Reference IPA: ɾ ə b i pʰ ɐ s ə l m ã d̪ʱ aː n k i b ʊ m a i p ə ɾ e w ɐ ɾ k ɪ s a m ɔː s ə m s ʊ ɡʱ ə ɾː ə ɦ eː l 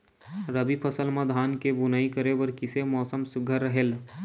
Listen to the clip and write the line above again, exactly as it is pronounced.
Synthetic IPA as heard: ɾ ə b i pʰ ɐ s ə l m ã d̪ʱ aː n k e b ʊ n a i k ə ɾ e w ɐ ɾ k ɪ s e m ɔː s ə m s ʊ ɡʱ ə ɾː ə ɦ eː l